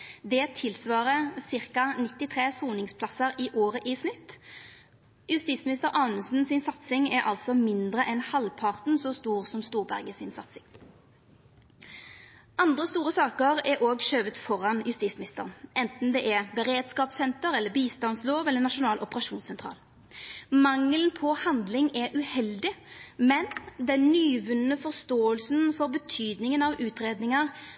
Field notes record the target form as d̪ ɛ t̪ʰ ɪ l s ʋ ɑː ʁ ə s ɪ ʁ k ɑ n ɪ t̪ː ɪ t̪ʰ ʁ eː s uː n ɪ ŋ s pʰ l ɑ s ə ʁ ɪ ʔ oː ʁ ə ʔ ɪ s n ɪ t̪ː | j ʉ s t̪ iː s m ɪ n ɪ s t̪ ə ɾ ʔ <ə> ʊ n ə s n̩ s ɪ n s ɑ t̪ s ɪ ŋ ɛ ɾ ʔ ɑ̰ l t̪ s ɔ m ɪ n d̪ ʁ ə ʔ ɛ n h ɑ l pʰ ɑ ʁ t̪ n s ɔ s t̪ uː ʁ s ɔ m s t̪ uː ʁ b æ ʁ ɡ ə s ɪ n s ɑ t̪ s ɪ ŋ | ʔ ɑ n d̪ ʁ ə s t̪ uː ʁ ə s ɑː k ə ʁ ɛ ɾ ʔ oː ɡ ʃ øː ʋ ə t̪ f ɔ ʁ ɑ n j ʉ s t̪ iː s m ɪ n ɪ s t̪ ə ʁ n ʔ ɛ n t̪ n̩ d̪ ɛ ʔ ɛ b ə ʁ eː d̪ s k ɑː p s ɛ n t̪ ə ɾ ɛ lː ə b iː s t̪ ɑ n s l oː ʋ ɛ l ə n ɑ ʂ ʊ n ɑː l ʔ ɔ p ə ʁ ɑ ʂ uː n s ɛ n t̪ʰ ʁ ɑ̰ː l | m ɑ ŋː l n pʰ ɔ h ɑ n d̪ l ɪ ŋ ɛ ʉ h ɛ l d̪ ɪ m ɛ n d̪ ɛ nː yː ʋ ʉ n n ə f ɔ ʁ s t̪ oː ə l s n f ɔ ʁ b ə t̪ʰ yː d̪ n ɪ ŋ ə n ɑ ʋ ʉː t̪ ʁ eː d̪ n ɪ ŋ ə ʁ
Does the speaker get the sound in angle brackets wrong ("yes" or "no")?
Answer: yes